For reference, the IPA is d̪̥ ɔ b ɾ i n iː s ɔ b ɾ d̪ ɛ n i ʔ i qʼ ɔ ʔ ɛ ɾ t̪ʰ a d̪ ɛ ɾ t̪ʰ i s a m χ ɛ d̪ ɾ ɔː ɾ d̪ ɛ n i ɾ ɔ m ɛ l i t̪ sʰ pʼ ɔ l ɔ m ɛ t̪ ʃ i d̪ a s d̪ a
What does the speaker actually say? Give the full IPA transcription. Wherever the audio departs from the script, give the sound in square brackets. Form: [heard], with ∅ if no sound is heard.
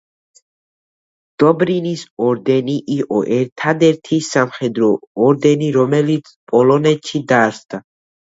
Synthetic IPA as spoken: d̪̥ ɔ b ɾ i n [i] s ɔ [∅] ɾ d̪ ɛ n i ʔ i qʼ ɔ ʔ ɛ ɾ t̪ʰ a d̪ ɛ ɾ t̪ʰ i s a m χ ɛ d̪ ɾ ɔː ɾ d̪ ɛ n i ɾ ɔ m ɛ l i t̪ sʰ pʼ ɔ l ɔ [n] ɛ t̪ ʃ i d̪ a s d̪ a